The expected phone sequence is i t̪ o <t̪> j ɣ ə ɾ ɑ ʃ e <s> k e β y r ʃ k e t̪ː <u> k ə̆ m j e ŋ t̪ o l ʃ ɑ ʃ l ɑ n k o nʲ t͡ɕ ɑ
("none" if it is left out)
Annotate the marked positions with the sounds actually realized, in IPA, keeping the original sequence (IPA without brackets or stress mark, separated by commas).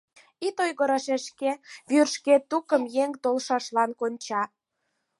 none, ʃ, u